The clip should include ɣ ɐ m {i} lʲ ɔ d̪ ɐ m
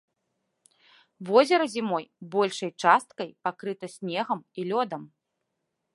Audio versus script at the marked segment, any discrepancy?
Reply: no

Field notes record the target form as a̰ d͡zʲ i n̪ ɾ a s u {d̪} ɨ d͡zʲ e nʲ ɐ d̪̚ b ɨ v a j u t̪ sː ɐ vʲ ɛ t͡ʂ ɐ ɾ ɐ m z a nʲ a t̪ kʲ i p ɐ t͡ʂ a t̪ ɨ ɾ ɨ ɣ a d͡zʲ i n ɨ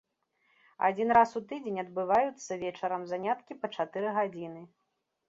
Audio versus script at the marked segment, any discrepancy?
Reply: yes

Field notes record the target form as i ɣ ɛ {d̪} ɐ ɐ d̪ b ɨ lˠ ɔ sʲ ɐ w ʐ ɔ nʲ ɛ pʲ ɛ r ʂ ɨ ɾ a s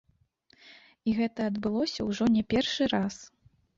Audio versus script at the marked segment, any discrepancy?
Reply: yes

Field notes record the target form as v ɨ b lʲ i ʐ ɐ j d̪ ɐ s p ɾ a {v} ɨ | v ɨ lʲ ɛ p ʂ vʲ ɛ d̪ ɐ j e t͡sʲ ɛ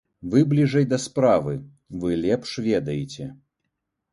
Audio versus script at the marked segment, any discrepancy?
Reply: no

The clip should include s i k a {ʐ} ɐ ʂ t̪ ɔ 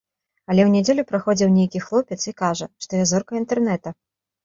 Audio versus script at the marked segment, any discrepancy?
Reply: no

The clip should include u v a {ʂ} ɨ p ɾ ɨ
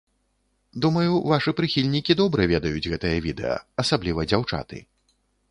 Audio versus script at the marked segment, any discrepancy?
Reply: no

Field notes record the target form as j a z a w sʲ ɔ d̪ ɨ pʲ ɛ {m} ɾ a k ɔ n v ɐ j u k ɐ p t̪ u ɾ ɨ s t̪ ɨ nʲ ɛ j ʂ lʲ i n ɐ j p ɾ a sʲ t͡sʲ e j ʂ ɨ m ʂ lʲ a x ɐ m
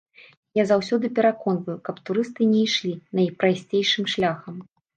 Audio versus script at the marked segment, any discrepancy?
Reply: yes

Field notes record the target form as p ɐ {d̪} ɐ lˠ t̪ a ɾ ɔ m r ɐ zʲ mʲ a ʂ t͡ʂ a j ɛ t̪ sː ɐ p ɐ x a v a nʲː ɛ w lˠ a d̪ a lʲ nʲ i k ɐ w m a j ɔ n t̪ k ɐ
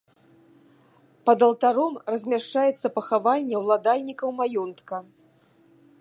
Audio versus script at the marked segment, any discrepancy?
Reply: no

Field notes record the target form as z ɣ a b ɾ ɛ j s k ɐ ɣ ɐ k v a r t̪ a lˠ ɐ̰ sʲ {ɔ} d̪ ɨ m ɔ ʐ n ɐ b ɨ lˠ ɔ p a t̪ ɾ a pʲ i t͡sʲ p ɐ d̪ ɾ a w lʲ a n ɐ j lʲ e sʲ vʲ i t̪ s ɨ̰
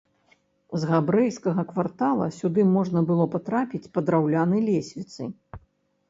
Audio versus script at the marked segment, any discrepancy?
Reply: yes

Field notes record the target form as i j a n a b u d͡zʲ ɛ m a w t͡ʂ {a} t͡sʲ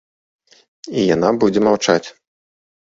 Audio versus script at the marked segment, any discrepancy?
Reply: no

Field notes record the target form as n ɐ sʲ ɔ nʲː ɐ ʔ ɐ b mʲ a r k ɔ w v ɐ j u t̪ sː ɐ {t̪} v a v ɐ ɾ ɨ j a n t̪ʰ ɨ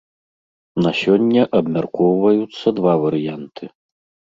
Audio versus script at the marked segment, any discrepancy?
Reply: yes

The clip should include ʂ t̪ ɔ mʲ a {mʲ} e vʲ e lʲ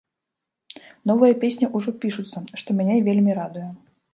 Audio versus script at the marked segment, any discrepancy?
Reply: yes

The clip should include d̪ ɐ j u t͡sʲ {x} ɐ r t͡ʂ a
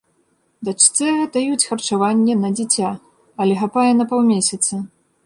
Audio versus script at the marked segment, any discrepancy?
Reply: no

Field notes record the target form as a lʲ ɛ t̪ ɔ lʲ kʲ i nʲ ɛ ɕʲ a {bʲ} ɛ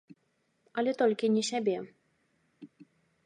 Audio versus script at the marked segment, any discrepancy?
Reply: no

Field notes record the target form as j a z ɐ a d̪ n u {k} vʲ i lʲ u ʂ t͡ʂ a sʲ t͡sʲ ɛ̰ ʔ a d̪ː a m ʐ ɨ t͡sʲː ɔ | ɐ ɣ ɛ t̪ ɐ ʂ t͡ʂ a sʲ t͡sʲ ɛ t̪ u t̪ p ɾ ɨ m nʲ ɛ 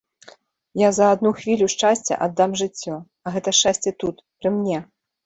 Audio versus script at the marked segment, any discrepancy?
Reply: yes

